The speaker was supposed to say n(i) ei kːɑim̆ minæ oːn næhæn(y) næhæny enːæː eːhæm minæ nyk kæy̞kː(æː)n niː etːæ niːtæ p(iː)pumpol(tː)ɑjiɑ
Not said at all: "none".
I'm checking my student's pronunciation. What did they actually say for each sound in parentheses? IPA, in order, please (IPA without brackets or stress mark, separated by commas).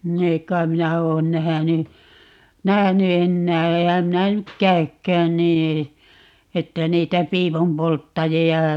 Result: i, y, æː, iː, tː